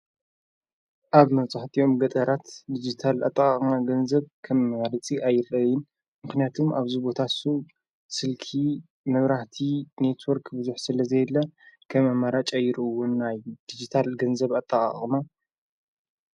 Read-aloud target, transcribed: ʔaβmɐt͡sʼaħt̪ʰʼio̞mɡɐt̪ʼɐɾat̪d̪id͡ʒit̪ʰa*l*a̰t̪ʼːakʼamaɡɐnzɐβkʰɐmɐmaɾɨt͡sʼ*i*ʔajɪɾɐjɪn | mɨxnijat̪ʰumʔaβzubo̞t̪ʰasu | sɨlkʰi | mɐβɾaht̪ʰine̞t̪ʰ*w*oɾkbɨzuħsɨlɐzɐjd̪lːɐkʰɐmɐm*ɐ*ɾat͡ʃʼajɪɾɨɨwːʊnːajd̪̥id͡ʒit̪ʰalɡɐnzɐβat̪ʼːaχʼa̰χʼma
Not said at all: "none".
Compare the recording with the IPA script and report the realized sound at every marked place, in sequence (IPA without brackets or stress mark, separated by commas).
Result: l, i, w, a